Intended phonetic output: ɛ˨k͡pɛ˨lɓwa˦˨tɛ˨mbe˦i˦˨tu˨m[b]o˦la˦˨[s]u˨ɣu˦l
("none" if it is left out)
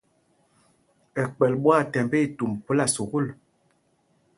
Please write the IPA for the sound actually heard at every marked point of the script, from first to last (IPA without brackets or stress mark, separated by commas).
p, s